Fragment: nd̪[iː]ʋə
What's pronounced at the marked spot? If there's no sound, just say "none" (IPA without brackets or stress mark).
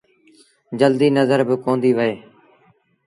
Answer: iː